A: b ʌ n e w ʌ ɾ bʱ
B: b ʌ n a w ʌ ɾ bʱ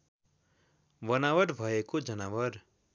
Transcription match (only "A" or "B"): B